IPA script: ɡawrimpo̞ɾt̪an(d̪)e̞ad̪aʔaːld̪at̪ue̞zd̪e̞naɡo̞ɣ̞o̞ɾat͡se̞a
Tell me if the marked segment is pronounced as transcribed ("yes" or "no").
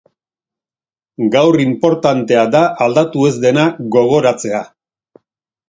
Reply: no